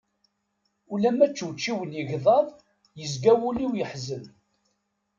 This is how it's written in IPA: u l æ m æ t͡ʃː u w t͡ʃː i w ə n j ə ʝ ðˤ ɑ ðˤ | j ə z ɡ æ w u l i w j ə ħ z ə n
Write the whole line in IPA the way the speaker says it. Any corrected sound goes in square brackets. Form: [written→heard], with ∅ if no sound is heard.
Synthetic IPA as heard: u l æ m æ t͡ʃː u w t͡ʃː i w ə n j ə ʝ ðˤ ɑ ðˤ | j ə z ɡ æ w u l i w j ə ħ z ə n